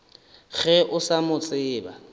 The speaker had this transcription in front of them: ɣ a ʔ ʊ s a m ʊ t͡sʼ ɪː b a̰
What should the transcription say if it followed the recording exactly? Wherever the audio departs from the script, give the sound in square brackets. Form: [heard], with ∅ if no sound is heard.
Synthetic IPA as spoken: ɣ [ɛ] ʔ ʊ s a m ʊ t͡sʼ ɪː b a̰